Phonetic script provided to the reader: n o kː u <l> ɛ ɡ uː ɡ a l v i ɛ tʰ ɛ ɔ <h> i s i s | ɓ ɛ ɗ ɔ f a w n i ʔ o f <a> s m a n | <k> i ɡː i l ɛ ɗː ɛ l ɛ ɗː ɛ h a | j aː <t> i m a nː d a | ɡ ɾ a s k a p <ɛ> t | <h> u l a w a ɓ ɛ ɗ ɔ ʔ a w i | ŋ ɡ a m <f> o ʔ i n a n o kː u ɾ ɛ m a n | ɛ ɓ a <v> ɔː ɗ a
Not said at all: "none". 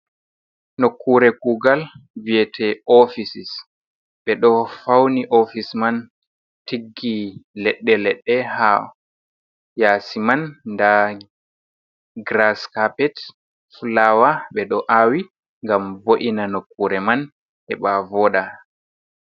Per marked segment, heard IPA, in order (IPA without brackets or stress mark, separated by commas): ɾ, f, i, t, s, ɛ, f, v, v